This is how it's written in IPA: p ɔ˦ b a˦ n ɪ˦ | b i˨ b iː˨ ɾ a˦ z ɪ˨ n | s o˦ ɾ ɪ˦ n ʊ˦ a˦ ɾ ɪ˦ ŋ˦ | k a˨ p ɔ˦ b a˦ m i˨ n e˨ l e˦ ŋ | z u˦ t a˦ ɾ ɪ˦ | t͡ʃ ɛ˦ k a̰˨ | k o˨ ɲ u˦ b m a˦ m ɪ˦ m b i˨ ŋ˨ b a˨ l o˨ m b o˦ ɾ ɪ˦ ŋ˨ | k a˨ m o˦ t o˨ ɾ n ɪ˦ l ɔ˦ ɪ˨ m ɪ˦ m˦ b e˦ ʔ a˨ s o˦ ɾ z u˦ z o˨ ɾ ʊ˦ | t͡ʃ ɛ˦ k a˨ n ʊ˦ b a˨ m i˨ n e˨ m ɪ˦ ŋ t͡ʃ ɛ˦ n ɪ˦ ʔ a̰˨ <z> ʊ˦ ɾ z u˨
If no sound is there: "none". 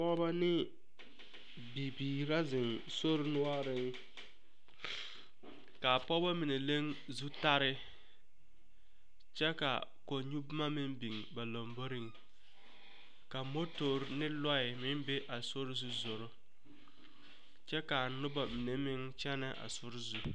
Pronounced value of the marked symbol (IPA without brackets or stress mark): s